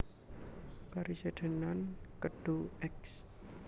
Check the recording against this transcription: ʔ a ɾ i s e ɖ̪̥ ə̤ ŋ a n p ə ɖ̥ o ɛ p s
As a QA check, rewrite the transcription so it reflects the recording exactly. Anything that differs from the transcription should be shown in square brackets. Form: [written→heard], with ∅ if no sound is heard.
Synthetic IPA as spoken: [ʔ→k] a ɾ i s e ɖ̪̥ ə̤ [ŋ→n] a n [p→k] ə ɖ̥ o ɛ [p→k] s